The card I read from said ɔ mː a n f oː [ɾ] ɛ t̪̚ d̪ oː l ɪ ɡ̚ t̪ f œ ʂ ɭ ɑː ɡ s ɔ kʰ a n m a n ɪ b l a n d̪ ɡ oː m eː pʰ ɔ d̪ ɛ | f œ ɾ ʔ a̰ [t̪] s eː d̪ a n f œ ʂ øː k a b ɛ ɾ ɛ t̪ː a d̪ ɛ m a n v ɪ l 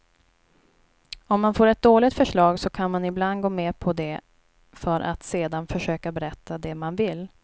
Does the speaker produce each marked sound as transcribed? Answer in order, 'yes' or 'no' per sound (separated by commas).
yes, yes